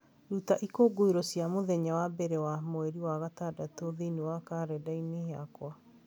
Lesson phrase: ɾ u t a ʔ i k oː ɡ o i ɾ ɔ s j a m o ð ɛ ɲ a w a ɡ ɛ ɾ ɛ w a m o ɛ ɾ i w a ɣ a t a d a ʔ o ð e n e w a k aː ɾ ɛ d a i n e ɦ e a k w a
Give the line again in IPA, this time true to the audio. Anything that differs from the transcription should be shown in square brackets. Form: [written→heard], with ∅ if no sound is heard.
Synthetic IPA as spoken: ɾ u t a ʔ i k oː ɡ o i ɾ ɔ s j a m o ð ɛ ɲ a w a [ɡ→b] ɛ ɾ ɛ w a m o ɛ ɾ i w a ɣ a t a d a [ʔ→t] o ð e n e w a k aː ɾ ɛ d a i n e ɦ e a k w a